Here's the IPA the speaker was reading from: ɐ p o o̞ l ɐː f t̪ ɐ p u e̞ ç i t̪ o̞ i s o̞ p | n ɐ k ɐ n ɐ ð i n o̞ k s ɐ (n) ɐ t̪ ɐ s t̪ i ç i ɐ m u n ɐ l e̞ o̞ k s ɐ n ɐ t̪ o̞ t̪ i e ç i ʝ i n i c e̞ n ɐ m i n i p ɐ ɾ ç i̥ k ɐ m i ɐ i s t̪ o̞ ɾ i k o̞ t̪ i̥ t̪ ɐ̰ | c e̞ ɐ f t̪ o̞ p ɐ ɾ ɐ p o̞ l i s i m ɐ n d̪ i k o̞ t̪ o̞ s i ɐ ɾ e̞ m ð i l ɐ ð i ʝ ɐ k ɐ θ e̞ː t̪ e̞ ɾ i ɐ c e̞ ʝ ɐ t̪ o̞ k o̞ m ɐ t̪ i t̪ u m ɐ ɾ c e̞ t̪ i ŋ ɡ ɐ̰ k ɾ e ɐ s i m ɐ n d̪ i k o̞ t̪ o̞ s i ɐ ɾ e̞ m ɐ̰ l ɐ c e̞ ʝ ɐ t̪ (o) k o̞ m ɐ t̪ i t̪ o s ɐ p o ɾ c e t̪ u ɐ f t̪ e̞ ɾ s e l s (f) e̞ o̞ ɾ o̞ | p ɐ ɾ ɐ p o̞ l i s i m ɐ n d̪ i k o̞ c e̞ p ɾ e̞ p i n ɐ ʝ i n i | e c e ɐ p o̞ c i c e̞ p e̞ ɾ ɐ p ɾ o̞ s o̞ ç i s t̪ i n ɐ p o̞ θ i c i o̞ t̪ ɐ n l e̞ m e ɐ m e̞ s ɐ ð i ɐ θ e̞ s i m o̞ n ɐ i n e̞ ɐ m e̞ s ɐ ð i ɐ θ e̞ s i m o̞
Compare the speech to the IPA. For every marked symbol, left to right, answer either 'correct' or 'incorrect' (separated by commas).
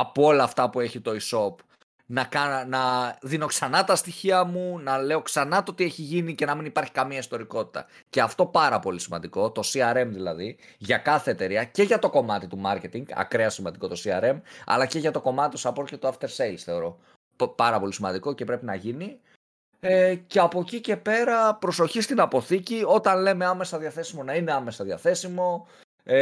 correct, correct, incorrect